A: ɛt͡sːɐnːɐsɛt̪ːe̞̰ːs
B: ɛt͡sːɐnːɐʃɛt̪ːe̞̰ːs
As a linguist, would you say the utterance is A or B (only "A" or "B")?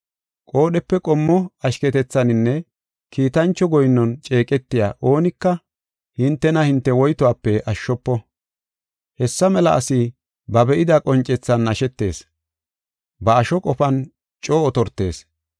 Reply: B